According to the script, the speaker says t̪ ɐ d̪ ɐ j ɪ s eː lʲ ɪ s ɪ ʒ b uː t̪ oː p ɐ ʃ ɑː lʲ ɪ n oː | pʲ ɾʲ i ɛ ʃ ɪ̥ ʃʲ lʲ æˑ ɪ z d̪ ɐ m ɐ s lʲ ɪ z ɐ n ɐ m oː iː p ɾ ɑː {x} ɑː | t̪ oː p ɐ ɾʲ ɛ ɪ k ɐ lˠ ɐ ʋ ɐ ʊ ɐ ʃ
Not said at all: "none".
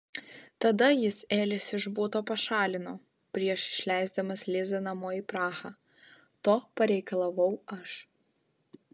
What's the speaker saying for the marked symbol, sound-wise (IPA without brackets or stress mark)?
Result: x